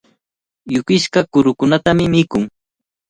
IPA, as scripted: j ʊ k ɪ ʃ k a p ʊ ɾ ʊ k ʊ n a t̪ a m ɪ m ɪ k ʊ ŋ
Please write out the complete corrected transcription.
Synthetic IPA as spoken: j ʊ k ɪ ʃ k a k ʊ ɾ ʊ k ʊ n a t̪ a m ɪ m ɪ k ʊ ŋ